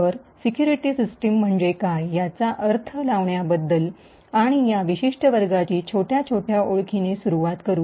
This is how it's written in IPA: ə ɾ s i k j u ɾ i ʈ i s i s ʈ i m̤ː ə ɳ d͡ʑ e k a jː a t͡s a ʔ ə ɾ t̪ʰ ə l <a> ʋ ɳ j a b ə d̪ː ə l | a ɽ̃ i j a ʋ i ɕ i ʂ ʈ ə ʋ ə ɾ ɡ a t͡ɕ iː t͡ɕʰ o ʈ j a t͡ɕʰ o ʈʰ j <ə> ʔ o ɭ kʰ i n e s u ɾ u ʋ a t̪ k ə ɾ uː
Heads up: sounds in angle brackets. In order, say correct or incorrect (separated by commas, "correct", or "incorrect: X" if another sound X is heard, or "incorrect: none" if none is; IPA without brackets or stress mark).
correct, incorrect: a